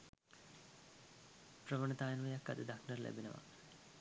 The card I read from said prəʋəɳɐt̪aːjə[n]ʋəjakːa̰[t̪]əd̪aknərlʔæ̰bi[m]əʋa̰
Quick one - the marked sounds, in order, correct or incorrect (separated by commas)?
correct, incorrect, incorrect